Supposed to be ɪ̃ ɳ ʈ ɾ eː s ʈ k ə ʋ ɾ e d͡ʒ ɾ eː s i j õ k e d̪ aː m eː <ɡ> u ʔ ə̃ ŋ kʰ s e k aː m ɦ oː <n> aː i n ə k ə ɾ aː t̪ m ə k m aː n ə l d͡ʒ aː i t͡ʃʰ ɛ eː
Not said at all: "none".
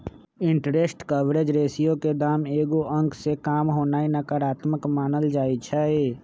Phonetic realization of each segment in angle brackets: ɡ, n

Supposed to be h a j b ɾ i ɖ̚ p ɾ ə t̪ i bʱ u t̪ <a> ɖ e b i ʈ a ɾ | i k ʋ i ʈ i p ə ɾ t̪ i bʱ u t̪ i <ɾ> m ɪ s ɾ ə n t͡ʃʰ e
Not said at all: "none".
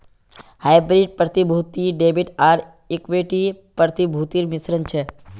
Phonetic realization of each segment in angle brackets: i, ɾ

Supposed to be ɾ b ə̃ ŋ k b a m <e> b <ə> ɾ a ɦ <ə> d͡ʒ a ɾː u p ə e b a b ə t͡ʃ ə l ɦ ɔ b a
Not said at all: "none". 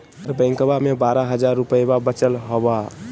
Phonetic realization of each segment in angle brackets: e, a, ə

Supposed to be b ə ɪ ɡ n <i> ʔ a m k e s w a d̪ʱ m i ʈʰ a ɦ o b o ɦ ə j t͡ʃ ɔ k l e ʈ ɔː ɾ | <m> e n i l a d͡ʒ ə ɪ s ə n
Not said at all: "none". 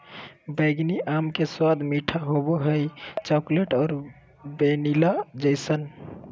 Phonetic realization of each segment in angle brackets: i, b

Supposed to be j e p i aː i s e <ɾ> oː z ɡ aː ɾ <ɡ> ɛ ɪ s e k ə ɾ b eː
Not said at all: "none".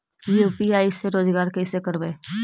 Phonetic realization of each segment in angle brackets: ɾ, k

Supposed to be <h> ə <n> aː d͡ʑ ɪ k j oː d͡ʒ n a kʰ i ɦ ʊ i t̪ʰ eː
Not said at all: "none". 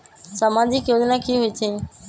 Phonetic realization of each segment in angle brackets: s, m

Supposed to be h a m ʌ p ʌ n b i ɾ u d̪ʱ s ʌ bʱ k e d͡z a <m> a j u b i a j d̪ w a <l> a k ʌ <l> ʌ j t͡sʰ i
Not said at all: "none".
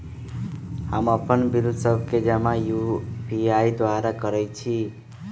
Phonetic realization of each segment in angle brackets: m, ɾ, ɾ

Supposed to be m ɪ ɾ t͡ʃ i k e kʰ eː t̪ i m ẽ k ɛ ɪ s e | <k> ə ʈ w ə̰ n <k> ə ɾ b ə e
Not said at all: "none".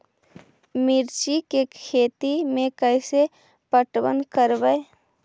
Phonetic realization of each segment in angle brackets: p, k

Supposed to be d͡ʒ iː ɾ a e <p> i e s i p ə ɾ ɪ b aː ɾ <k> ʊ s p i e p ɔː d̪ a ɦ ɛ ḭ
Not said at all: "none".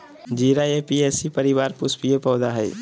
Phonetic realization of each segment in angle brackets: p, p

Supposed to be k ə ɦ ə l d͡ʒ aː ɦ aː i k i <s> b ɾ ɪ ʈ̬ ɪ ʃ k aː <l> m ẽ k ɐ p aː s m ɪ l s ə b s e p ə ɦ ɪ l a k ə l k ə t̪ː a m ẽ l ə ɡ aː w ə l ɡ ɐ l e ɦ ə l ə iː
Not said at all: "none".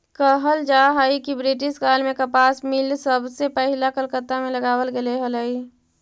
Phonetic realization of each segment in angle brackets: none, l

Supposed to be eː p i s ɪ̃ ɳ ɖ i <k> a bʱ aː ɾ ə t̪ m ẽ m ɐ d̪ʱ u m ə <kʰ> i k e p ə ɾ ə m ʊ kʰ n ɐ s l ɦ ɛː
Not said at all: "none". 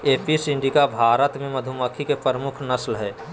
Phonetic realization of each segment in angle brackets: k, kʰ

